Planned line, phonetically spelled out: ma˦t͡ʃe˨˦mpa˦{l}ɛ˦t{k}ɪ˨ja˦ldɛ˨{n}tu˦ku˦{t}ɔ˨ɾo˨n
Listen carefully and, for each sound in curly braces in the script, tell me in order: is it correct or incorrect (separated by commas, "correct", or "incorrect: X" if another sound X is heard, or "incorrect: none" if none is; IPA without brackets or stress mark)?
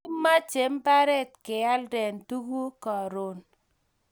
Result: incorrect: ɾ, correct, correct, incorrect: k